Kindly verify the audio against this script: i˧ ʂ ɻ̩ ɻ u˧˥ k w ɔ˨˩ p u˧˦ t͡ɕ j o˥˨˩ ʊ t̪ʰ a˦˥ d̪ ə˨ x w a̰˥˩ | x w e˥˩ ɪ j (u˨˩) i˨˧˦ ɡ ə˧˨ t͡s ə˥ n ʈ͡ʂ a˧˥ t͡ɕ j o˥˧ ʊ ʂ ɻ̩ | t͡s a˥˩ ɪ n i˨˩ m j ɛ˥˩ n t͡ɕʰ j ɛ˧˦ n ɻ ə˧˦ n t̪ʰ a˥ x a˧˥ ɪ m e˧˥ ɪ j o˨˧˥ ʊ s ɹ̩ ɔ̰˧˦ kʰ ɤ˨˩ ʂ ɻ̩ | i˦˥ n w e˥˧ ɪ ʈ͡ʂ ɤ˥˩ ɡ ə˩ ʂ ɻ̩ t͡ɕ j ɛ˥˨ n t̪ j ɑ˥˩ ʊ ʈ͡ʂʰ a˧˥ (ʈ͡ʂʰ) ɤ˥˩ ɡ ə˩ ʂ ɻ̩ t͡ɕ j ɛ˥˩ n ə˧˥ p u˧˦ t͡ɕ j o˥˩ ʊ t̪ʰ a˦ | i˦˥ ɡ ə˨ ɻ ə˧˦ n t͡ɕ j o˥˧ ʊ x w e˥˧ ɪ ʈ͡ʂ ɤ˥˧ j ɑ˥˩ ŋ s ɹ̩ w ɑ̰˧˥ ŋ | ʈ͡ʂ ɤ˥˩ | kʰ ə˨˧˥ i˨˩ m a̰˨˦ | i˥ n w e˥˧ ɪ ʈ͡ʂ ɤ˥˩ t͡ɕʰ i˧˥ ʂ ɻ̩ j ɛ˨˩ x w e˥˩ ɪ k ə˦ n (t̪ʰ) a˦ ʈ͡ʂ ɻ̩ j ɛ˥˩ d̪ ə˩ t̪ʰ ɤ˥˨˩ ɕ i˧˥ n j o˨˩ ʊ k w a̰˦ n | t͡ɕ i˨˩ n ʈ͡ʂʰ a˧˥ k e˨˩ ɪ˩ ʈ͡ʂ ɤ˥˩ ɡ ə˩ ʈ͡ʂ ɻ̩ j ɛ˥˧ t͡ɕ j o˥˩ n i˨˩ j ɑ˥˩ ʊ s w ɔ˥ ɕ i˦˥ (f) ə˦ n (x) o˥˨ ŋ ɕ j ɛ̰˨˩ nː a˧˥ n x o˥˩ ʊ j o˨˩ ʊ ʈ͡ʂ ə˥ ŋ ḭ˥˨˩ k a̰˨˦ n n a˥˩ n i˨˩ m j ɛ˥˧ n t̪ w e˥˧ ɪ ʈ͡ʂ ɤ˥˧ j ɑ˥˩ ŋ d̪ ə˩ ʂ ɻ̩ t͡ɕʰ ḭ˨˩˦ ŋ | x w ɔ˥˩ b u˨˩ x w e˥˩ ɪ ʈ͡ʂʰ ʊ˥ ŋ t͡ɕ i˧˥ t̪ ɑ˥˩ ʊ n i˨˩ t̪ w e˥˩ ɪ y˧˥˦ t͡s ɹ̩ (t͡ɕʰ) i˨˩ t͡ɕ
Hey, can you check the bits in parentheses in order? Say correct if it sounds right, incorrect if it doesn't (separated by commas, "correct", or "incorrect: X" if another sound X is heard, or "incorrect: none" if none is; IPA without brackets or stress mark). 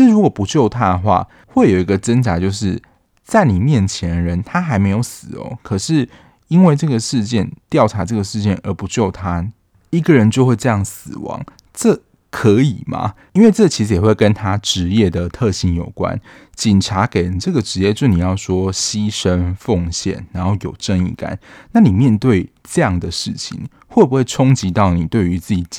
incorrect: o˨˩, incorrect: ʈ͡ʂ, correct, incorrect: ʂ, incorrect: f, incorrect: t͡ɕ